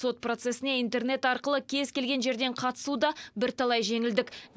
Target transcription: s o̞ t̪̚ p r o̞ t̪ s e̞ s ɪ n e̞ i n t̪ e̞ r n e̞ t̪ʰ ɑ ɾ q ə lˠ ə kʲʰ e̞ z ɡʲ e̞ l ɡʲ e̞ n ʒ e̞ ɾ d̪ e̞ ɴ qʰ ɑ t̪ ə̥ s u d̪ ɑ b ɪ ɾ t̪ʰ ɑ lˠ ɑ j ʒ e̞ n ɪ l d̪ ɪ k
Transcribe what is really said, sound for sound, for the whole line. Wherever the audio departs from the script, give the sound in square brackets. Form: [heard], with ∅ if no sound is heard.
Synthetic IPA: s o̞ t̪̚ p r o̞ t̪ s e̞ s ɪ n e̞ i n t̪ e̞ r n e̞ [t̪] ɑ ɾ q ə lˠ ə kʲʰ e̞ z [kʲ] e̞ l ɡʲ e̞ n ʒ e̞ ɾ d̪ e̞ ɴ qʰ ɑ t̪ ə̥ s u d̪ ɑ b ɪ ɾ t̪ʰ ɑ lˠ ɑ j ʒ e̞ [ŋ] ɪ l d̪ ɪ k